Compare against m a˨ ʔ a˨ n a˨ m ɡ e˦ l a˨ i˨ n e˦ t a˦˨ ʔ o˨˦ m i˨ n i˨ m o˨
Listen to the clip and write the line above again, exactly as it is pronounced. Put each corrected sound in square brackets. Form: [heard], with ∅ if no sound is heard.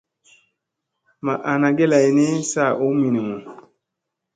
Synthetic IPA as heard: m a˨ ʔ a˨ n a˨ [∅] ɡ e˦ l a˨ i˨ n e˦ [s] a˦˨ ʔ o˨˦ m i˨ n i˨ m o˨